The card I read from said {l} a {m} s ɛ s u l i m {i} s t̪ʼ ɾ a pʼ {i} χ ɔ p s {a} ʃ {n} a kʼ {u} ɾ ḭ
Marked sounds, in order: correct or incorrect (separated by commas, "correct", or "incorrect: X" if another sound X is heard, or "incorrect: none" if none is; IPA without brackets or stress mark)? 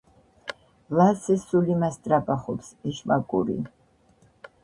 correct, incorrect: none, incorrect: a, incorrect: a, incorrect: ɛ, incorrect: m, correct